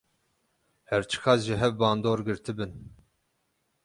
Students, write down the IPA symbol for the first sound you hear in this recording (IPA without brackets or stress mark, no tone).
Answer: h